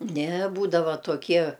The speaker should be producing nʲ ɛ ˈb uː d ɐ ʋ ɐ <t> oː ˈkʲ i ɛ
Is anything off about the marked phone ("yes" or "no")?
no